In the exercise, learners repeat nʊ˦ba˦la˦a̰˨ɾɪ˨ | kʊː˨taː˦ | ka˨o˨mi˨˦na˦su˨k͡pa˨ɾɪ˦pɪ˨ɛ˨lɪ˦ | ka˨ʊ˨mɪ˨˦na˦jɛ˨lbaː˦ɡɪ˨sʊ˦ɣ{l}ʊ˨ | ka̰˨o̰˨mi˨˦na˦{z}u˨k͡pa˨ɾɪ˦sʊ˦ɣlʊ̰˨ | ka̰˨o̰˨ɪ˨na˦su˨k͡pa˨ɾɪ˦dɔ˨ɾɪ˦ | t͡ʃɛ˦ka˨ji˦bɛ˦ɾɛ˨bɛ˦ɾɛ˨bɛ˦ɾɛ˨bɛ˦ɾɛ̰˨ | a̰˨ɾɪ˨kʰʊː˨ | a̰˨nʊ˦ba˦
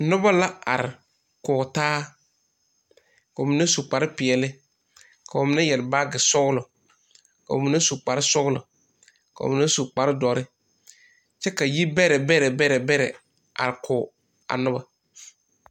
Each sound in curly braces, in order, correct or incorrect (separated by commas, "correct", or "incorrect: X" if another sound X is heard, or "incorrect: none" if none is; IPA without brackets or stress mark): correct, incorrect: s